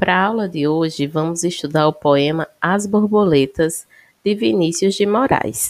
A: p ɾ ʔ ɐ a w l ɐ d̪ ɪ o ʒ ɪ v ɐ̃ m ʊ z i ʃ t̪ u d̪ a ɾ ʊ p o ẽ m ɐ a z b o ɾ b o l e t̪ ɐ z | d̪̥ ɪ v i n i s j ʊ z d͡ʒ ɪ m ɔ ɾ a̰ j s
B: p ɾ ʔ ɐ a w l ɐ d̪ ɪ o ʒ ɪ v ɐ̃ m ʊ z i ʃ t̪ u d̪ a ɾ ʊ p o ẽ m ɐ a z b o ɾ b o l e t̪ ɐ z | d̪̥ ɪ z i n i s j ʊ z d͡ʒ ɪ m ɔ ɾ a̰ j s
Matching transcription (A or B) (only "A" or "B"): A